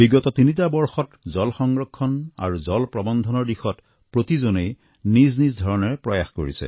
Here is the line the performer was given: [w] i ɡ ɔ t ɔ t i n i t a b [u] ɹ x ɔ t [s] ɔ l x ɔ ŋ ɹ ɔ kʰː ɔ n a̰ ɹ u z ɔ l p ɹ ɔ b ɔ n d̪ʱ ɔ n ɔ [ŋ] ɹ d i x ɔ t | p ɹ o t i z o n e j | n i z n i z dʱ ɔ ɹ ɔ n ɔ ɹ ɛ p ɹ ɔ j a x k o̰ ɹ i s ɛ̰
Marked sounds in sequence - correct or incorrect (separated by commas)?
incorrect, incorrect, incorrect, incorrect